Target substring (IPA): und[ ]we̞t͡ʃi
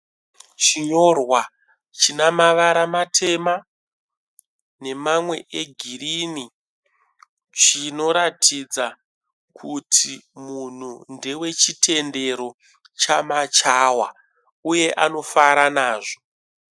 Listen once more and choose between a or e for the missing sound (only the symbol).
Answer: e